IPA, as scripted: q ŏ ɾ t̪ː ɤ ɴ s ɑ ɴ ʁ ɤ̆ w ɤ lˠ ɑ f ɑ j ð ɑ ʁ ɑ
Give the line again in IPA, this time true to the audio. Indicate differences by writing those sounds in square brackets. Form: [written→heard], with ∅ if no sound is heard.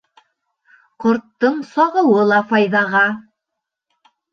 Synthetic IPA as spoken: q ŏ ɾ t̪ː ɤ ɴ s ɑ [ɴ→∅] ʁ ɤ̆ w ɤ lˠ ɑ f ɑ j ð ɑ ʁ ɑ